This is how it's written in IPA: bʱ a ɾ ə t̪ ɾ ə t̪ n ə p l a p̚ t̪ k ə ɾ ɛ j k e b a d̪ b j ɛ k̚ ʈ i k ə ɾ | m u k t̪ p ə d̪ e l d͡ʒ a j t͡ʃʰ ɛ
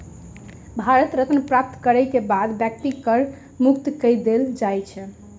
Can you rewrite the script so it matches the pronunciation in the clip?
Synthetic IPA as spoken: bʱ a ɾ ə t̪ ɾ ə t̪ n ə p ɾ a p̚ t̪ k ə ɾ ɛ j k e b a d̪ b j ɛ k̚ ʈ i k ə ɾ | m u k t̪ k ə d̪ e l d͡ʒ a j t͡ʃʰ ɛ